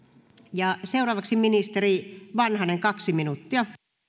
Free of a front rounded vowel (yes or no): yes